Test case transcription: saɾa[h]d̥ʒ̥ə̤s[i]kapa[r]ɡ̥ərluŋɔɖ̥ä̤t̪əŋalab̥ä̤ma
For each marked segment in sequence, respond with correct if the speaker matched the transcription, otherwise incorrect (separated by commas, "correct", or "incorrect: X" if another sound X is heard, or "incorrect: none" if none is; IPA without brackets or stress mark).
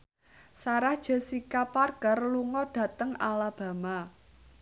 correct, correct, correct